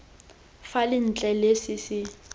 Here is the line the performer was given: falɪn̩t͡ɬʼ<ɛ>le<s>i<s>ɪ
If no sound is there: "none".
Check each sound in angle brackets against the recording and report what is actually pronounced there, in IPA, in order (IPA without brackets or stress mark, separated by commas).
ɛ, s, s